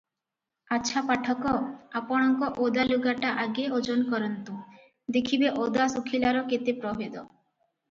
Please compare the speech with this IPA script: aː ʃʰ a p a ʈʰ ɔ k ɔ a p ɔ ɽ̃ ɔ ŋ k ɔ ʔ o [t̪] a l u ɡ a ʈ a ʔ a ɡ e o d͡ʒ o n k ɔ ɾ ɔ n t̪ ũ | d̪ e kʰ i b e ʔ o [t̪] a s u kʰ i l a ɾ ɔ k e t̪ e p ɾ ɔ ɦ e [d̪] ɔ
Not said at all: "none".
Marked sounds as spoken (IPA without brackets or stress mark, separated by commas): d̪, d̪, d̪